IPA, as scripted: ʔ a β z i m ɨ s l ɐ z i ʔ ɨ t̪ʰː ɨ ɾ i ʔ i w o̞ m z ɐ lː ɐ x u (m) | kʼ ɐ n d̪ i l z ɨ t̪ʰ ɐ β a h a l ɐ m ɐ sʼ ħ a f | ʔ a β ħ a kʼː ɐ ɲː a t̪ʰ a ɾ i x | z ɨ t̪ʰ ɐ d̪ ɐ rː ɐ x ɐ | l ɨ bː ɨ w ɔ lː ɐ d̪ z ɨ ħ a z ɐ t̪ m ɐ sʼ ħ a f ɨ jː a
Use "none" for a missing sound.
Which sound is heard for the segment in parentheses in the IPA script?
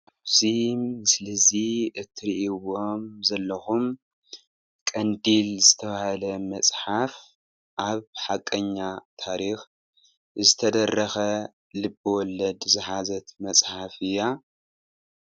m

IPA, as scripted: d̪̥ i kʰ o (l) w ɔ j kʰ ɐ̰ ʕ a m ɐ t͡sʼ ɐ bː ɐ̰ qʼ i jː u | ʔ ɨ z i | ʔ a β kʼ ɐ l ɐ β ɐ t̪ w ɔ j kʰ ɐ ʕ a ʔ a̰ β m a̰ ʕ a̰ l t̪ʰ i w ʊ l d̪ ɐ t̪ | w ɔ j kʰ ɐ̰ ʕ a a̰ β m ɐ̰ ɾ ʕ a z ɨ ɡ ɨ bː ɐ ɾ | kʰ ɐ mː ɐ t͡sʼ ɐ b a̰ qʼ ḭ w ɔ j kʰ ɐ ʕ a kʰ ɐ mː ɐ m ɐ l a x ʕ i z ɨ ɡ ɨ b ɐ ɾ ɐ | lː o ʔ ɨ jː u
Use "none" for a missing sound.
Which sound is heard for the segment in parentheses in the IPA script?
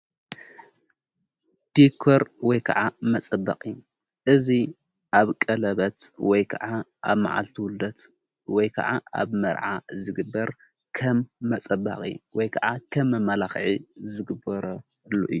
ɾ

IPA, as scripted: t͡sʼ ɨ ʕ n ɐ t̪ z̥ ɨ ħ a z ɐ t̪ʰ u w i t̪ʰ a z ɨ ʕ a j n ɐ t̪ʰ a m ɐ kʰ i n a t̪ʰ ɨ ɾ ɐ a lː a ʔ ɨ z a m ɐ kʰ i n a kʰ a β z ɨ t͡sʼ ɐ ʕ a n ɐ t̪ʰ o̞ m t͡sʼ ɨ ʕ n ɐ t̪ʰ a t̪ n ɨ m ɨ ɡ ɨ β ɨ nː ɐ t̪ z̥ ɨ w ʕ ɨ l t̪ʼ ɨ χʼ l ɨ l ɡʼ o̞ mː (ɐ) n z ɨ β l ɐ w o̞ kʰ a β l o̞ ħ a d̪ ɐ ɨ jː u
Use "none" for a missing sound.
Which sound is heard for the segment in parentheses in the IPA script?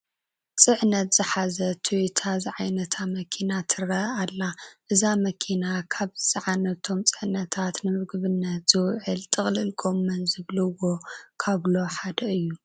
ɐ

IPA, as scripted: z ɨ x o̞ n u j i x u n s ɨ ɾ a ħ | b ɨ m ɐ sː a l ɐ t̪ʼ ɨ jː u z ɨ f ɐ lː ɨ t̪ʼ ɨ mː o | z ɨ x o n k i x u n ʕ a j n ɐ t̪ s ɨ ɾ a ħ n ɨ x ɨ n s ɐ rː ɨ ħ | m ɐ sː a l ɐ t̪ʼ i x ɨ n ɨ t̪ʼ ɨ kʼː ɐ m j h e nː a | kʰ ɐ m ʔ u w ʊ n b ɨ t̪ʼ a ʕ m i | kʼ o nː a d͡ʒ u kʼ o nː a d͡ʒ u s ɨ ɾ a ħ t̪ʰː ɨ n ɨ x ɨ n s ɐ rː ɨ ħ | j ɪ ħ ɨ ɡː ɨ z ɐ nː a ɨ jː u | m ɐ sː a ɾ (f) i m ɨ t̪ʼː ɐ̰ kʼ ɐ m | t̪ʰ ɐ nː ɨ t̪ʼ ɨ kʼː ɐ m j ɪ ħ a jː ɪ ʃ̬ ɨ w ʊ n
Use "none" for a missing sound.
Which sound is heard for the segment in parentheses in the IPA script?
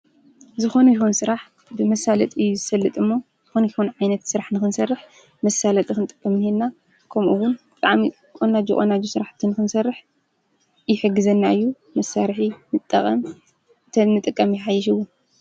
ħ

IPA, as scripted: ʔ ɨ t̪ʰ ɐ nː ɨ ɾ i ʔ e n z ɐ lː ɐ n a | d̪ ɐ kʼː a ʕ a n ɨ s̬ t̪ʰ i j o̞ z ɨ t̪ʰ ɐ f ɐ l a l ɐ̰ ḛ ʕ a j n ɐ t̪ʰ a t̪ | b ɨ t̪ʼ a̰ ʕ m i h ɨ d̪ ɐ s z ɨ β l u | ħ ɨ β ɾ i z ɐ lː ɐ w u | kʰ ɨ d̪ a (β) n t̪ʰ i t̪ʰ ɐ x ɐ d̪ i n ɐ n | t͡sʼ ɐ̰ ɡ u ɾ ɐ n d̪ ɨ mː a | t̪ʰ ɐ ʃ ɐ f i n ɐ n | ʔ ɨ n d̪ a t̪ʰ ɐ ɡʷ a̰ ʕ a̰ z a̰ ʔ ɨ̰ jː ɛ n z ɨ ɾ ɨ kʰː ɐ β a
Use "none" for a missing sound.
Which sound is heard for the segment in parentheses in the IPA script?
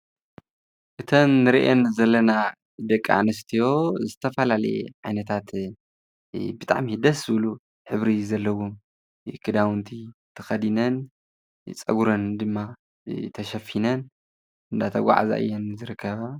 w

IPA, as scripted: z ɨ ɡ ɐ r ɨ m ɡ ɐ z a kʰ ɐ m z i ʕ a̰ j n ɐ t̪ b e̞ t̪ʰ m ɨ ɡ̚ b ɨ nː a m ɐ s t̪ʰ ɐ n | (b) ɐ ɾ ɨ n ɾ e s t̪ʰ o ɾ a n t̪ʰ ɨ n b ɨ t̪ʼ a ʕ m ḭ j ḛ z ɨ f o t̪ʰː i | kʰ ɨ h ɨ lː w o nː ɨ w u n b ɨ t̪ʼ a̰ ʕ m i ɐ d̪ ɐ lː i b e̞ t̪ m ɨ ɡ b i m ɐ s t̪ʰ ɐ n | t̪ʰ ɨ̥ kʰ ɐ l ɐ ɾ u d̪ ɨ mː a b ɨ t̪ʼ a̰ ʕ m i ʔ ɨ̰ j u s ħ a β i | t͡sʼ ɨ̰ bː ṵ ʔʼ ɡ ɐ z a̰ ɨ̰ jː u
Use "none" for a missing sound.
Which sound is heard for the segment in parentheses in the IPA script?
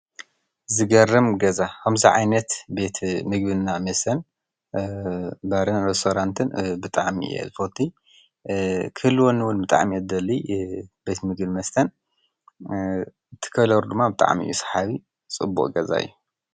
b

